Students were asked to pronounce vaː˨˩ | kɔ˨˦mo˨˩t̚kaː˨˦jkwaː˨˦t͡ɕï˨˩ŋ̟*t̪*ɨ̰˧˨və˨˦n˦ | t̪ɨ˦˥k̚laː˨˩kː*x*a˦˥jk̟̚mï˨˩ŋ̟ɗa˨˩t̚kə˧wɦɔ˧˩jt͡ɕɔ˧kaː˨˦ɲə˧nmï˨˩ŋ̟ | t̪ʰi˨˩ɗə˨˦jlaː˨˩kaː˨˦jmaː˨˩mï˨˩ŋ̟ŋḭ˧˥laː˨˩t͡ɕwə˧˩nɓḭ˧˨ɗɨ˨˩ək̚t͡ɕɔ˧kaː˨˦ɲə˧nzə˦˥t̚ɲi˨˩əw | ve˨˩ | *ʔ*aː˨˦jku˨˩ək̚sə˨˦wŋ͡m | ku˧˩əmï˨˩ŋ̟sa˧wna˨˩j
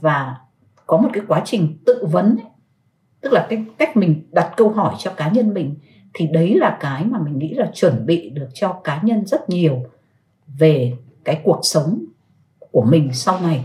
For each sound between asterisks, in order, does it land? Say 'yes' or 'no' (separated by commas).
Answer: yes, no, no